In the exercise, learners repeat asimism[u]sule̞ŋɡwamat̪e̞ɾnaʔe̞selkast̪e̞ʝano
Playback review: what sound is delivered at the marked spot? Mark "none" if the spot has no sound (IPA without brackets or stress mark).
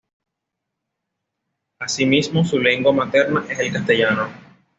o